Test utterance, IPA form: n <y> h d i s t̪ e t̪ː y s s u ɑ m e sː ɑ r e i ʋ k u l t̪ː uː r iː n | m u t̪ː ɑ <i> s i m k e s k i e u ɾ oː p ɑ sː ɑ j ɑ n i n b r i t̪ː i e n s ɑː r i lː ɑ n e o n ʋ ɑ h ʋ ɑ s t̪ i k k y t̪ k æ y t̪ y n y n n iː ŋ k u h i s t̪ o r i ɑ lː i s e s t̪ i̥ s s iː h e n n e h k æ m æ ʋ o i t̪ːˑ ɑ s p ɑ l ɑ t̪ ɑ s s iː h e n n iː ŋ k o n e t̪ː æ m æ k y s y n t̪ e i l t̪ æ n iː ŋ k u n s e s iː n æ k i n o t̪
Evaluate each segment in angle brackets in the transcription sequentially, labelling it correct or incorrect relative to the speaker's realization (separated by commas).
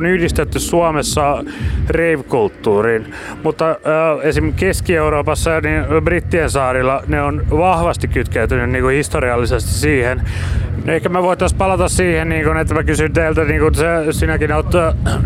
correct, incorrect